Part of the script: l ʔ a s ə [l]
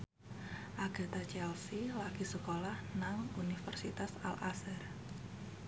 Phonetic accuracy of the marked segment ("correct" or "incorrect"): incorrect